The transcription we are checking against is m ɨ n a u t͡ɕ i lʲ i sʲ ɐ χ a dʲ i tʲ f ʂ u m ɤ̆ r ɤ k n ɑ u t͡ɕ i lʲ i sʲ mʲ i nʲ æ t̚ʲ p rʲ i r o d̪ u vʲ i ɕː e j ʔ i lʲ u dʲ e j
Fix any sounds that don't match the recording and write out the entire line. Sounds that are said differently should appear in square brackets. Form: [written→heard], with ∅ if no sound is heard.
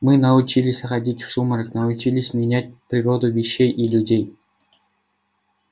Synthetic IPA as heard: m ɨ n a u t͡ɕ i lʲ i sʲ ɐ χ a dʲ i tʲ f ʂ u m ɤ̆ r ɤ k n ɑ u t͡ɕ i lʲ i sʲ mʲ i nʲ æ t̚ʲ p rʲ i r o d̪ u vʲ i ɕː e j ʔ i lʲ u dʲ e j

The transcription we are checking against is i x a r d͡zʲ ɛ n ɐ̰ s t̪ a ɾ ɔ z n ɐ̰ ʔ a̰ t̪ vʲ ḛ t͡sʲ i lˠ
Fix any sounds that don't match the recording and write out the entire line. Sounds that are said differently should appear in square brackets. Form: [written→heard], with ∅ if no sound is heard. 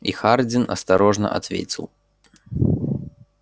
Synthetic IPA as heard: i x a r d͡zʲ [ɛ→i] n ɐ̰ s t̪ a ɾ ɔ [z→ʐ] n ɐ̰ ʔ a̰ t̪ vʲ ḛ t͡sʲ i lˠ

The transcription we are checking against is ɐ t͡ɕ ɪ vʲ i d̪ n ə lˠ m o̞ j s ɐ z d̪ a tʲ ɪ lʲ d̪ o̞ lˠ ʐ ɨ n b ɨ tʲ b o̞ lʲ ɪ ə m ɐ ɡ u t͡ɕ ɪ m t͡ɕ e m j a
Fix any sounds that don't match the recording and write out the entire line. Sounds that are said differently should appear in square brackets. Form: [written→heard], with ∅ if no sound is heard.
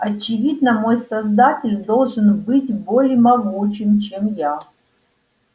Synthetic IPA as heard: ɐ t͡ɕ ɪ vʲ i d̪ n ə [lˠ→∅] m o̞ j s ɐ z d̪ a tʲ ɪ lʲ d̪ o̞ lˠ ʐ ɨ n b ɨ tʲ b o̞ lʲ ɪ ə m ɐ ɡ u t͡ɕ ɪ m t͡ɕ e m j a

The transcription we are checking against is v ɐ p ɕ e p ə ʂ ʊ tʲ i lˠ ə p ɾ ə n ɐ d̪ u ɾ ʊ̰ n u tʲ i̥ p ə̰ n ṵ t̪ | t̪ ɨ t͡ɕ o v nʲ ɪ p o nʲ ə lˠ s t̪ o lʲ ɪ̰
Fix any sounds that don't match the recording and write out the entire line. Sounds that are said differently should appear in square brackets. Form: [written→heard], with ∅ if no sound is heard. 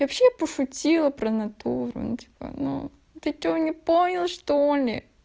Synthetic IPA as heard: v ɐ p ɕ e p ə ʂ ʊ tʲ i lˠ ə p ɾ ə n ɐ [d̪→t̪] u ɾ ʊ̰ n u tʲ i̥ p ə̰ n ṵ [t̪→∅] | t̪ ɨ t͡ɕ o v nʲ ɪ p o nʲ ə lˠ [s→ʂ] t̪ o lʲ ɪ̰

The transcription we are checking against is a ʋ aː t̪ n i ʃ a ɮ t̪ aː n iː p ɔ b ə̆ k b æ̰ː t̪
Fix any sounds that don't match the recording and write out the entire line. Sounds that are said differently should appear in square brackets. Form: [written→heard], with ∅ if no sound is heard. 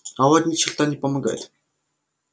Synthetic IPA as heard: a [ʋ→w] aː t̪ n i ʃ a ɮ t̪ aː n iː p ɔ [b→m] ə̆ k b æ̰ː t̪

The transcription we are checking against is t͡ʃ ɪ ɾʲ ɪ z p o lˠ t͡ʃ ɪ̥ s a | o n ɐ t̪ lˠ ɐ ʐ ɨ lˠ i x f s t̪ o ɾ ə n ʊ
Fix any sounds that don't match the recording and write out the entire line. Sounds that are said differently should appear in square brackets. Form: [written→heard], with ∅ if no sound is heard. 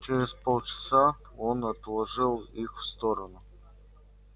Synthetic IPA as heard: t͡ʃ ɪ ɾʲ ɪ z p o lˠ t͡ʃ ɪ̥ s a | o n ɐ t̪ lˠ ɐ ʐ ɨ lˠ i x f s t̪ o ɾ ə n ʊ

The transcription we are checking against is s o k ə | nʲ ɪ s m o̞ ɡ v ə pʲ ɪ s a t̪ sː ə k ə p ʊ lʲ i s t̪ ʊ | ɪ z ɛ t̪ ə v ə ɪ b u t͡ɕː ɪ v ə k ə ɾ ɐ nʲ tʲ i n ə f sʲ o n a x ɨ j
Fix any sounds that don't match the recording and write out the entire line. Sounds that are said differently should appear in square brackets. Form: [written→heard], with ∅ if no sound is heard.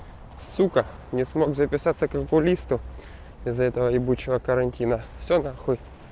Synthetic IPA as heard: s [o→u] k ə | nʲ ɪ s m o̞ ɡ [v→z] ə pʲ ɪ s a t̪ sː ə k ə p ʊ lʲ i s t̪ ʊ | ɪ z ɛ t̪ ə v ə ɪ b u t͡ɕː ɪ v ə k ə ɾ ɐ nʲ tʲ i n ə f sʲ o n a x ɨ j

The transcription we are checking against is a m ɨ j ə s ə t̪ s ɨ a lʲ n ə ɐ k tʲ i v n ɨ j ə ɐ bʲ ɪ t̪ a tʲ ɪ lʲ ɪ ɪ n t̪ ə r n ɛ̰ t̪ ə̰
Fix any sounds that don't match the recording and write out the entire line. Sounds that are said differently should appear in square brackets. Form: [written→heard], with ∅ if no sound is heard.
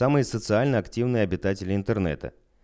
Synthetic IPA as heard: a m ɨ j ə s ə t̪ s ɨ a lʲ n ə ɐ k tʲ i v n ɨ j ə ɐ bʲ ɪ t̪ a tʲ ɪ lʲ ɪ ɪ n t̪ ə r n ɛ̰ t̪ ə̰

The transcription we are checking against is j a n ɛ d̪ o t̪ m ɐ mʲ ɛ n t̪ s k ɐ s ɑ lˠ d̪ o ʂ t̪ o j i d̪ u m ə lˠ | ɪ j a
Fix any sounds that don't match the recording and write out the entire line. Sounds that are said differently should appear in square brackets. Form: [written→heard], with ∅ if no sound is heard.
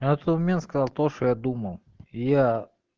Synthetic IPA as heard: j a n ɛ [d̪→t̪] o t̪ m ɐ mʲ [ɛ→e] n t̪ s k ɐ [s→z] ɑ lˠ [d̪→t̪] o ʂ t̪ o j [i→a] d̪ u m ə lˠ | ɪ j a

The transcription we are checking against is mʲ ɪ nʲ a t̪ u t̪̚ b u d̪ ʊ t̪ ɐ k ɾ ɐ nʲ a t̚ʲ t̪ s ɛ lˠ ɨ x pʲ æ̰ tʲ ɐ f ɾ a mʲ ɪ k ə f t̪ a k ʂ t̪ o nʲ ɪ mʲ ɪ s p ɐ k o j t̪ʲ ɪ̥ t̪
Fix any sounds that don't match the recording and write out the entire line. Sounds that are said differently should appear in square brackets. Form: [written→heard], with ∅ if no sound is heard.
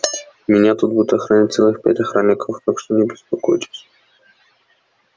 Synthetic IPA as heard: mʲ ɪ nʲ a t̪ u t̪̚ b u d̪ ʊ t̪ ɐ [k→x] ɾ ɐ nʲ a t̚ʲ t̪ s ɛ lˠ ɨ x pʲ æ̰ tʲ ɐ [f→x] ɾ a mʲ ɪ k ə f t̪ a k ʂ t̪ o nʲ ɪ [mʲ→bʲ] ɪ s p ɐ k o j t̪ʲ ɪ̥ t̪

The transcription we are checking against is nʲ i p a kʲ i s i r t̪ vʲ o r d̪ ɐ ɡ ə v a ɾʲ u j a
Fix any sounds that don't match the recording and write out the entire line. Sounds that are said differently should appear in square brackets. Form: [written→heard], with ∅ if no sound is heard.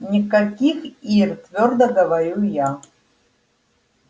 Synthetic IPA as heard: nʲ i [p→k] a kʲ i [s→x] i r t̪ vʲ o r d̪ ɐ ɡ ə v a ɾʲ u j a

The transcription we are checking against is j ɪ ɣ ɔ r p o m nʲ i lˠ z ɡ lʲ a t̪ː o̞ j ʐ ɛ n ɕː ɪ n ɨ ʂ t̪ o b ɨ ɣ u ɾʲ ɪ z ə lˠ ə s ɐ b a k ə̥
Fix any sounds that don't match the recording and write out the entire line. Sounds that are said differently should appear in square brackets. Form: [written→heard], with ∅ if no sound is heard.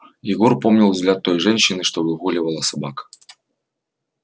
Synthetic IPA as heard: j ɪ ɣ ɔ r p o m nʲ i lˠ z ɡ lʲ a t̪ː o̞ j ʐ ɛ n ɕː ɪ n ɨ ʂ t̪ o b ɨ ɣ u [ɾʲ→lʲ] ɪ [z→v] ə lˠ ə s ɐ b a k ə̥

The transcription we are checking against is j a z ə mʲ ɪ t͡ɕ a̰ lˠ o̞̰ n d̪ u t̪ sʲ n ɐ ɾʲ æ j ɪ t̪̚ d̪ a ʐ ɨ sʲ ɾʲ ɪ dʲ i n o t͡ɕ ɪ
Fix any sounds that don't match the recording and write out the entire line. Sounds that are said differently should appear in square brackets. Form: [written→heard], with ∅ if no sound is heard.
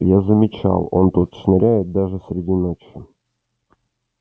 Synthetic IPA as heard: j a z ə mʲ ɪ t͡ɕ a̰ lˠ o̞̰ n [d̪→t̪] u t̪ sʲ n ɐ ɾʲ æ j ɪ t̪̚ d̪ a ʐ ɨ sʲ ɾʲ ɪ dʲ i n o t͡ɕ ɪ

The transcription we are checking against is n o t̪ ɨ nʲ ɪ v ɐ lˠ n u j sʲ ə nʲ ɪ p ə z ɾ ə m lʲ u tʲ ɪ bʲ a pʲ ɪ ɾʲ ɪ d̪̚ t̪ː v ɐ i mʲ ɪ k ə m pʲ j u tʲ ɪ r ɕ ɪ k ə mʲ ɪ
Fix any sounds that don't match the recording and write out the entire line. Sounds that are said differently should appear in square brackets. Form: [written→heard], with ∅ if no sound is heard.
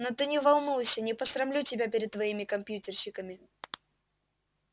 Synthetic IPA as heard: n o t̪ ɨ nʲ ɪ v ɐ lˠ n u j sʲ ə nʲ ɪ p ə [z→s] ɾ [ə→ɐ] m lʲ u tʲ ɪ bʲ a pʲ ɪ ɾʲ ɪ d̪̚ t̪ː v ɐ i mʲ ɪ k [ə→ɐ] m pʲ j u tʲ ɪ r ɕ ɪ k ə mʲ ɪ

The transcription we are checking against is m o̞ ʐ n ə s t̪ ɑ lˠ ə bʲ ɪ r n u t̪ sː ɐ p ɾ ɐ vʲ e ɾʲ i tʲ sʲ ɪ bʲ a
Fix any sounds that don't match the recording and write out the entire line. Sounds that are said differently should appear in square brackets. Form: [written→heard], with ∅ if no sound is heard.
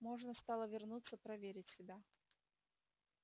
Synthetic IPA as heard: m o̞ ʐ n ə s t̪ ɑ lˠ ə [bʲ→vʲ] ɪ r n u t̪ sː [ɐ→ə] p ɾ ɐ vʲ e ɾʲ [i→ɪ] tʲ sʲ ɪ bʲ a

